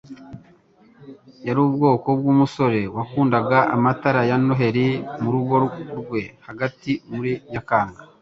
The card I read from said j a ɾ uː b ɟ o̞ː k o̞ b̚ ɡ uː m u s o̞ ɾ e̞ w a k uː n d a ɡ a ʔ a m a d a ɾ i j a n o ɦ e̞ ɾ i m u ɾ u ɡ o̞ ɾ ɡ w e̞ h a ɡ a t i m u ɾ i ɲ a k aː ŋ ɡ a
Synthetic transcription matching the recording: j a ɾ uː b ɡ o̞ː k o̞ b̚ ɡ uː m u s o̞ ɾ e̞ w a k uː n d a ɡ a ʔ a m a t a ɾ a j a n o ɦ e̞ ɾ i m u ɾ u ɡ o̞ ɾ ɡ w e̞ h a ɡ a t i m u ɾ i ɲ a k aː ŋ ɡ a